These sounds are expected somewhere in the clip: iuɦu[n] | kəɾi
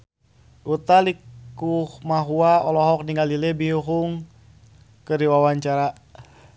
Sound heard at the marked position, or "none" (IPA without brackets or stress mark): ŋ